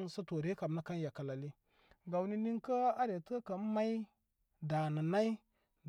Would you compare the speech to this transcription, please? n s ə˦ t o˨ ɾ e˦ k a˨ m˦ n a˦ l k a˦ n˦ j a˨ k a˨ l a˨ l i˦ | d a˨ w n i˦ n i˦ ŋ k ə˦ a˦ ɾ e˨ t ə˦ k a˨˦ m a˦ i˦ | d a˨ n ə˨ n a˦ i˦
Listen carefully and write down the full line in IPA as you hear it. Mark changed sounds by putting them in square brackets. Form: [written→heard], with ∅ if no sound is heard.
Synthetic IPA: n s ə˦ t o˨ ɾ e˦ k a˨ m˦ n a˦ [l→∅] k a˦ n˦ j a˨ k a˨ l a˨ l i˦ | [d→ɡ] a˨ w n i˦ n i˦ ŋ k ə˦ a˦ ɾ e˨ t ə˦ k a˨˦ m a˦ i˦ | d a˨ n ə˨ n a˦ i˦